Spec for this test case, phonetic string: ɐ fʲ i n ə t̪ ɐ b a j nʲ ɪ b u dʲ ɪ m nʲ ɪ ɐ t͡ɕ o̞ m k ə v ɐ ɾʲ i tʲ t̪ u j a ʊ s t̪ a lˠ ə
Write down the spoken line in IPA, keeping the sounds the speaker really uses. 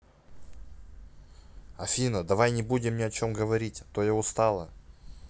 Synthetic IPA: ɐ fʲ i n ə d̪ ɐ v a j nʲ ɪ b u dʲ ɪ m nʲ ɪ ɐ t͡ɕ o̞ m ɡ ə v ɐ ɾʲ i tʲ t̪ o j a ʊ s t̪ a lˠ ə